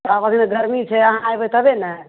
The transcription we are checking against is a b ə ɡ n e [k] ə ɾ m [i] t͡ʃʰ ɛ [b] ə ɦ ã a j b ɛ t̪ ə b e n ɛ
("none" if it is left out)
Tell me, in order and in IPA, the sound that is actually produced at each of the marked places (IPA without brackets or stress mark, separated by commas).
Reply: ɡ, i, none